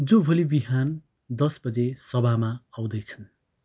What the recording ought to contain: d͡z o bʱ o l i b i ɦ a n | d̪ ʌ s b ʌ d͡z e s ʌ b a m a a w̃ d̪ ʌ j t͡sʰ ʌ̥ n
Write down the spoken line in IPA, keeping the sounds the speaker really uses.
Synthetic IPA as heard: d͡z o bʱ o l i b i ɦ a n | d̪ ʌ s b ʌ d͡z e s ʌ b a m a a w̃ d̪ ʌ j t͡sʰ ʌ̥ n